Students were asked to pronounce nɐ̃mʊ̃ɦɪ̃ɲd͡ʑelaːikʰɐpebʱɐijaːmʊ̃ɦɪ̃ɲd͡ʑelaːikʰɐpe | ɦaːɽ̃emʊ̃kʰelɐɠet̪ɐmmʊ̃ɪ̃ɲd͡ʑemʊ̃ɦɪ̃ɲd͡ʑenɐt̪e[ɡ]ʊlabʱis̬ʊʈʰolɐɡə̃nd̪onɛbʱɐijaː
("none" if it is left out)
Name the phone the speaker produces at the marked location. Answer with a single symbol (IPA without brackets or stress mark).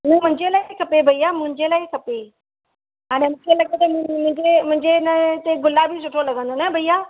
ɡ